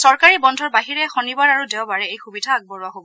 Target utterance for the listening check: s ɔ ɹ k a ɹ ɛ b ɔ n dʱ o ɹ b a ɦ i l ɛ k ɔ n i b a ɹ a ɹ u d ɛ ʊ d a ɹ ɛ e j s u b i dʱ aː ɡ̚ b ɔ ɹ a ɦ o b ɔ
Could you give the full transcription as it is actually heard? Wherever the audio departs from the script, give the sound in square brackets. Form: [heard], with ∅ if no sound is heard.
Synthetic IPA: s ɔ ɹ k a ɹ [i] b ɔ n dʱ [ɔ] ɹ b a ɦ i [ɹ] ɛ [x] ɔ n i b a ɹ a ɹ u d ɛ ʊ [b] a ɹ ɛ e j [x] u b i dʱ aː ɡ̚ b ɔ ɹ a ɦ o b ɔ